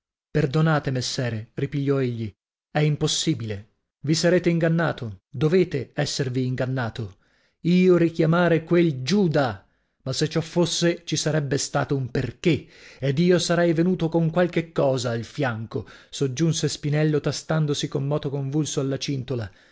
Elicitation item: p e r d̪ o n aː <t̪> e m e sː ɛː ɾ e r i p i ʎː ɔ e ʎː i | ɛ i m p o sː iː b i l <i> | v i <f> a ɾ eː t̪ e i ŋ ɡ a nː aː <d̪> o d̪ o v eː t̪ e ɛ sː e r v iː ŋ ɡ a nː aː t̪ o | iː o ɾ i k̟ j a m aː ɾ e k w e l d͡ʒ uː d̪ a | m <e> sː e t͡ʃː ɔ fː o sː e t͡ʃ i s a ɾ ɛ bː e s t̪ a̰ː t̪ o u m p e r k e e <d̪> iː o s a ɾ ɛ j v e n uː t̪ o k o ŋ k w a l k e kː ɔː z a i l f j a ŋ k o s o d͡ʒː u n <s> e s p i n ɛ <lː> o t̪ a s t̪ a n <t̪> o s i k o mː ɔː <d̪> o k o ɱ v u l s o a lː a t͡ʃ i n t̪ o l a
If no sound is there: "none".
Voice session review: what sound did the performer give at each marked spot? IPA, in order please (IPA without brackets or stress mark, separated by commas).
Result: t̪, e, s, t̪, a, d̪, s, lː, d̪, t̪